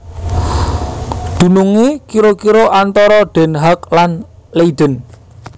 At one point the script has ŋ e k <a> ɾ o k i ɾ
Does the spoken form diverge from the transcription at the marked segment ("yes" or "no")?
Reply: yes